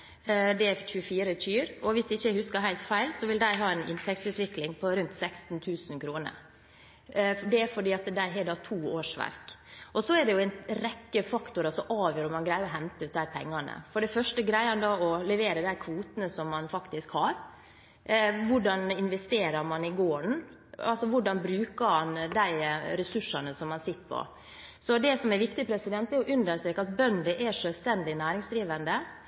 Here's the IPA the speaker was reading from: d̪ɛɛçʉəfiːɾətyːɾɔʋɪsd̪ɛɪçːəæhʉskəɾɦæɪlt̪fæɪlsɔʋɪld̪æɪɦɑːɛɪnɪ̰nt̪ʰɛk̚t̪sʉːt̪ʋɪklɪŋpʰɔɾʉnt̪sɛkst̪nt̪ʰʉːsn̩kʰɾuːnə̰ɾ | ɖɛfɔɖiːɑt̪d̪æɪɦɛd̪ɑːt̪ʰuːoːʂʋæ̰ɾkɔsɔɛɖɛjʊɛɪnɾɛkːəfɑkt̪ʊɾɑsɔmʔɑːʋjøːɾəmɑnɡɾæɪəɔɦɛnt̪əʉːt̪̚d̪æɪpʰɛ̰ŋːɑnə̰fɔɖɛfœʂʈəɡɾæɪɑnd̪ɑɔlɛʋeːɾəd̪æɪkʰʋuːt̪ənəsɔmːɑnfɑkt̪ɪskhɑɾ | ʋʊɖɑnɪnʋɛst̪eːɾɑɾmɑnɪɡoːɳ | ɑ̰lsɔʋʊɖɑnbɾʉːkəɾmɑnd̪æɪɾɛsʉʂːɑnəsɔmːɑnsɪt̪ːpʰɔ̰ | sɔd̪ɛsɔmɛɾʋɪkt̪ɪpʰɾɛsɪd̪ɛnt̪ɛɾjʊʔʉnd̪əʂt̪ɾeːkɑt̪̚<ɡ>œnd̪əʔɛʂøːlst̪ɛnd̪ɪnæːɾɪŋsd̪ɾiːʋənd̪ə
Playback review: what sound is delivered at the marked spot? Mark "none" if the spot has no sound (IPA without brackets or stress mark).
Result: b